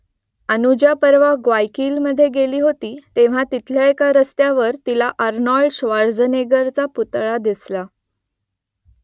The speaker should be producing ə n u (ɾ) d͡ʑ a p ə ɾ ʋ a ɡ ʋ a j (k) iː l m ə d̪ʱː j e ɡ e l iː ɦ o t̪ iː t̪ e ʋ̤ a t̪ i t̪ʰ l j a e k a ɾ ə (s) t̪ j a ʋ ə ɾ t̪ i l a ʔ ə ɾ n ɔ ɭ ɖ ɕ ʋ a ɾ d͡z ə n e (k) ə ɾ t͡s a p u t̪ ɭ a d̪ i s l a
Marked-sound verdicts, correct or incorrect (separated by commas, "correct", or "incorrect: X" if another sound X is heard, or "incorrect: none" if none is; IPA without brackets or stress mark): incorrect: none, correct, correct, incorrect: ɡ